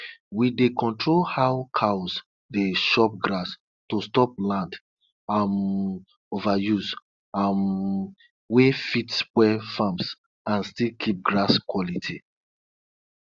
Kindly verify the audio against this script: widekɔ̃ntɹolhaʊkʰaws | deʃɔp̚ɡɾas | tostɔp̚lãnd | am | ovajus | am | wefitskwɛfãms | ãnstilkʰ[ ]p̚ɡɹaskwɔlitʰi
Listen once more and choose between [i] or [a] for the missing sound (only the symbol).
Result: i